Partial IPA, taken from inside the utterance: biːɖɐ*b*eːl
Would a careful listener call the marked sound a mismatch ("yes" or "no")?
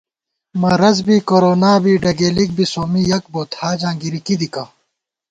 yes